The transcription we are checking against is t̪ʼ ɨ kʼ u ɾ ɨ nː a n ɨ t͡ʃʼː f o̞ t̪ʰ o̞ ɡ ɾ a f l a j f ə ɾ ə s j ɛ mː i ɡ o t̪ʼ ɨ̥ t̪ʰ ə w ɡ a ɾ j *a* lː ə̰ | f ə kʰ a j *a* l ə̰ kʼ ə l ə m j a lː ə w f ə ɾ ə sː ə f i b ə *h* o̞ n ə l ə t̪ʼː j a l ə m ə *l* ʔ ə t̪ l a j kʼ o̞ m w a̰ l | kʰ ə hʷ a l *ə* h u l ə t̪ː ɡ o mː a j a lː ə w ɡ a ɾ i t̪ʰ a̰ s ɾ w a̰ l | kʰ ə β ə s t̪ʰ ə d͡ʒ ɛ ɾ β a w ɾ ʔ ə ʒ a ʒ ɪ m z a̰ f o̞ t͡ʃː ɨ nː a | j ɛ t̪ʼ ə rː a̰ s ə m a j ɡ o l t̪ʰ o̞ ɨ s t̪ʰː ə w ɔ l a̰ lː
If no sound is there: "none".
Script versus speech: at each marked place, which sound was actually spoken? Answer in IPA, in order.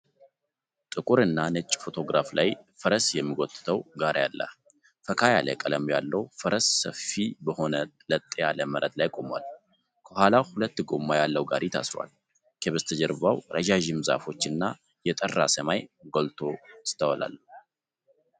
a, a, h, ɾ, a

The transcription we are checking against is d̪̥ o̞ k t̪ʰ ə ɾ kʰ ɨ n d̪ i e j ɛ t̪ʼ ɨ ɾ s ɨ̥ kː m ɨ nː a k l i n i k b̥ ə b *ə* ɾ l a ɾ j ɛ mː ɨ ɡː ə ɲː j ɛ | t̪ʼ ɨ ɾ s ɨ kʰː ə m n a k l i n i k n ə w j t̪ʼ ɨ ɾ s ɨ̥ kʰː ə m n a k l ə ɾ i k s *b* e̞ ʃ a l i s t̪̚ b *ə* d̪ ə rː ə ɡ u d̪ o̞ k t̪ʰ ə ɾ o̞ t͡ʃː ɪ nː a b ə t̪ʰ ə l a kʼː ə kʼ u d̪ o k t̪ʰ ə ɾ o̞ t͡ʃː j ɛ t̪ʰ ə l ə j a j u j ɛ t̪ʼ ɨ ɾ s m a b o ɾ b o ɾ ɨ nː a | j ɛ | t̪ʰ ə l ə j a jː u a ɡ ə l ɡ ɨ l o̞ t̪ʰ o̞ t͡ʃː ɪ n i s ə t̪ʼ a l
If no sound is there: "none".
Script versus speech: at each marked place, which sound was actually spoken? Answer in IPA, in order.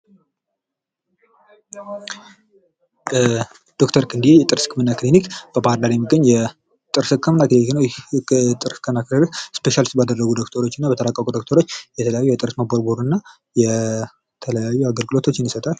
a, p, a

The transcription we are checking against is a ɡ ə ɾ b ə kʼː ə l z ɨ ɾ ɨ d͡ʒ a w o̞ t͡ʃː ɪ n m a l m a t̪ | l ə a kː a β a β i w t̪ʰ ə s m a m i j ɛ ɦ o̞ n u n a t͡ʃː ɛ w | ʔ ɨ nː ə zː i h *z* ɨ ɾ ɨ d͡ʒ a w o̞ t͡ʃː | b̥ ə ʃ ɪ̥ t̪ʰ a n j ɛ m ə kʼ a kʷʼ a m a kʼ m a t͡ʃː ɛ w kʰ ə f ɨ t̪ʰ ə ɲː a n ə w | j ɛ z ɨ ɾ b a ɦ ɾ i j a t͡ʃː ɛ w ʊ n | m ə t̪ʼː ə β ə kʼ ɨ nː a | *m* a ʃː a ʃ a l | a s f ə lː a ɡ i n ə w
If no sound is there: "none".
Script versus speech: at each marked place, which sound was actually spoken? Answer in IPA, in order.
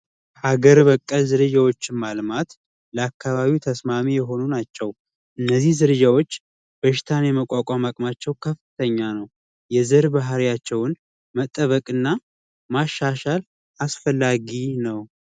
z, m

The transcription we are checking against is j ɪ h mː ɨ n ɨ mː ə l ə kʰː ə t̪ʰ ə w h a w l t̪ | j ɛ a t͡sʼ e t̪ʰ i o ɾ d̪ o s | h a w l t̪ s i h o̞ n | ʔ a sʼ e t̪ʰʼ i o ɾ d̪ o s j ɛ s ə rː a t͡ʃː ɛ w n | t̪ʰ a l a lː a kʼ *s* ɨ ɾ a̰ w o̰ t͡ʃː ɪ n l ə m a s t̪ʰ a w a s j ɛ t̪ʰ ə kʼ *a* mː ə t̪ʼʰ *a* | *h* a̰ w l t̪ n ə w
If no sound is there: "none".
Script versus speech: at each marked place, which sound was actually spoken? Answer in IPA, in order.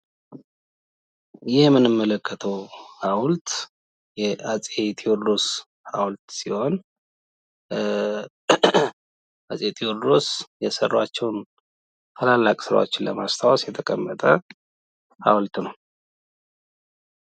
s, ə, ə, h

